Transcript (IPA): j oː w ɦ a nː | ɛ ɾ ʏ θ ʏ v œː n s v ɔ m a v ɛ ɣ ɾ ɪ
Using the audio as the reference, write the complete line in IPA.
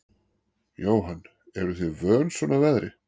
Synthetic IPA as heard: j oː w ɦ a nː | ɛ ɾ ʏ θ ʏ v œː n s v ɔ n a v ɛ ð ɾ ɪ